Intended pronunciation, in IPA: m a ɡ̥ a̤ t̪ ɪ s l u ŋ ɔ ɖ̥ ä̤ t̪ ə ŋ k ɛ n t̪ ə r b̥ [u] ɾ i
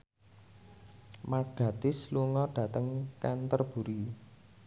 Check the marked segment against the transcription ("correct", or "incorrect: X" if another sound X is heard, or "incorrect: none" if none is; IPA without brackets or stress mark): correct